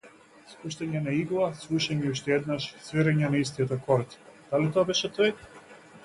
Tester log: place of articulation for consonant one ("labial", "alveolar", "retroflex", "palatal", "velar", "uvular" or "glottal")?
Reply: alveolar